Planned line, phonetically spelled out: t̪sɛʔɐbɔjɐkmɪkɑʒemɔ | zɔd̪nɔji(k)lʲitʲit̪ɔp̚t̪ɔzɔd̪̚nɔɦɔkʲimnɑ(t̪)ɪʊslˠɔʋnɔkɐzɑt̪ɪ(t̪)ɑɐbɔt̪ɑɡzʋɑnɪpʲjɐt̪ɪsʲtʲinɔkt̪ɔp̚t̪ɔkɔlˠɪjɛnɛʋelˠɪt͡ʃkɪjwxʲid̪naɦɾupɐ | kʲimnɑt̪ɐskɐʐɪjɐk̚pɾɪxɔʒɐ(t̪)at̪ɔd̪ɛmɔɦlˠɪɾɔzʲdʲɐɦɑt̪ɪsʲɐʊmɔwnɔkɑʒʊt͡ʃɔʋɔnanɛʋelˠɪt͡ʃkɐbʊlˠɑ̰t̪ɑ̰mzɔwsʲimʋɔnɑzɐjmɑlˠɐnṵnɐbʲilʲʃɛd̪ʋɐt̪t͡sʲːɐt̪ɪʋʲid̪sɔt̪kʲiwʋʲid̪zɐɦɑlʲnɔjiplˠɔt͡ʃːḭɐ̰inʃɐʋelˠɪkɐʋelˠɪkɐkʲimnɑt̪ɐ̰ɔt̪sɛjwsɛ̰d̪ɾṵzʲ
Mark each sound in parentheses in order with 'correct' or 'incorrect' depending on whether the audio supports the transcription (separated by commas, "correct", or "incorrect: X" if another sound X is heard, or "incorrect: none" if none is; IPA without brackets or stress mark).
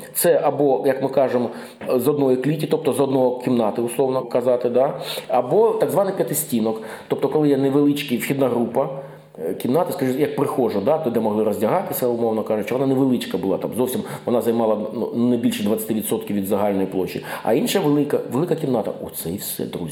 correct, correct, incorrect: d̪, incorrect: d̪